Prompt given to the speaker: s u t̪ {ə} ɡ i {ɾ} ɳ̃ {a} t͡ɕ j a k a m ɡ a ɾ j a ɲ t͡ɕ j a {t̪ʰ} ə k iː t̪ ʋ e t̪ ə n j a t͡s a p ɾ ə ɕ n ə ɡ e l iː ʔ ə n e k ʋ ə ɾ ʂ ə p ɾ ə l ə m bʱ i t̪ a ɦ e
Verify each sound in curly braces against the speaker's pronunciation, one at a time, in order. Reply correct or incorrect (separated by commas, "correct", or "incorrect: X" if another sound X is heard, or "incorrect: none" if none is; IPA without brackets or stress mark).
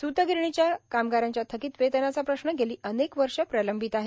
correct, correct, incorrect: i, correct